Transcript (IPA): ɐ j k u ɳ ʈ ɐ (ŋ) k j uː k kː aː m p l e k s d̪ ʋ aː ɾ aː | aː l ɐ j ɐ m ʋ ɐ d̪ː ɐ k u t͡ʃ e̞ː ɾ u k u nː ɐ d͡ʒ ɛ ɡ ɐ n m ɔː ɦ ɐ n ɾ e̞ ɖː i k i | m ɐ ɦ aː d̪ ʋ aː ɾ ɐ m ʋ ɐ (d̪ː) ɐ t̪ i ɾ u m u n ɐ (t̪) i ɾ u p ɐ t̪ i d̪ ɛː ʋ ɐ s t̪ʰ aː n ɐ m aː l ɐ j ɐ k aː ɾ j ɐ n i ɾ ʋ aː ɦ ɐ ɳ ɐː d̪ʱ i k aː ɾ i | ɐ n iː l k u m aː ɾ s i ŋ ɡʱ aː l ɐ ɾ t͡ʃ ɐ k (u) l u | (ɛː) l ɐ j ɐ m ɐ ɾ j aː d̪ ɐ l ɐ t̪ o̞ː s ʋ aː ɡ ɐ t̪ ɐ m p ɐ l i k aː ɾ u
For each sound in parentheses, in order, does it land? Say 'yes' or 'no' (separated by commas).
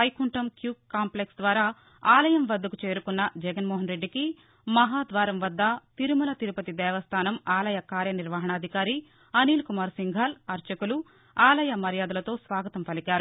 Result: no, yes, yes, yes, no